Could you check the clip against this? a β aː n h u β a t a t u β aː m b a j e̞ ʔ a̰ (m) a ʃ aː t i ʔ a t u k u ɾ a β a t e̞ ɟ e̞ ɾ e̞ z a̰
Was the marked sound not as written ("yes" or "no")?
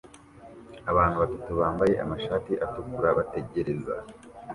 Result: no